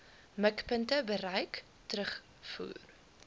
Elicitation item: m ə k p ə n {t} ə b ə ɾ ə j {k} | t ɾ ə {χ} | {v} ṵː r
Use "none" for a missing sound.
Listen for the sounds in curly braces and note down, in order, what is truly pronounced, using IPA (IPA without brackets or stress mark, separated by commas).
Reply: t, k, χ, f